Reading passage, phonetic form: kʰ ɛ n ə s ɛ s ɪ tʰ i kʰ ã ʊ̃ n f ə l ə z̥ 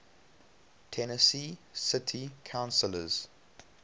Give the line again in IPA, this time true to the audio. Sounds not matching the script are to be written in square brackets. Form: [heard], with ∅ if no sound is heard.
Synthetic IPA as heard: [tʰ] ɛ n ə s [i] s ɪ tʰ i kʰ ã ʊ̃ n [s] ə l ə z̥